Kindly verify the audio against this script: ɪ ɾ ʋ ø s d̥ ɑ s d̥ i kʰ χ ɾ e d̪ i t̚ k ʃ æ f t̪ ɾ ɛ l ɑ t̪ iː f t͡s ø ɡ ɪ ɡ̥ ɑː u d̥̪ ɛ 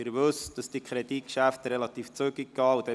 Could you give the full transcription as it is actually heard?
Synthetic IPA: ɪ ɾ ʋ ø s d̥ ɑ s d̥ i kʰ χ ɾ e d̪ i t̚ k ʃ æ f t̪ ɾ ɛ l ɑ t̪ iː f t͡s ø ɡ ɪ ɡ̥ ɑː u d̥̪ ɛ